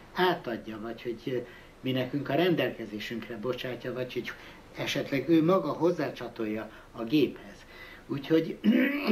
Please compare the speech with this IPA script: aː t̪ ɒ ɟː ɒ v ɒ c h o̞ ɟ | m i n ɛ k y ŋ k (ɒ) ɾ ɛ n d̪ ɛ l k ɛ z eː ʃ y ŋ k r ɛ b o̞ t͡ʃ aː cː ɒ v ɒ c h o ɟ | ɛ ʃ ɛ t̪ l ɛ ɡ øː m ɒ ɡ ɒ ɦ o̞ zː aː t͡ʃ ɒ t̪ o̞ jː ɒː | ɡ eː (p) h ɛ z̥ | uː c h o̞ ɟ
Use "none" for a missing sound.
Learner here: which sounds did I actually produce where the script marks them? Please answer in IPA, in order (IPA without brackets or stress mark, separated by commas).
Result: ɒ, p